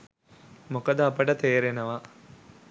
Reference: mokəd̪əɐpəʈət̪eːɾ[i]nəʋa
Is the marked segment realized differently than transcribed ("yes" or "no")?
yes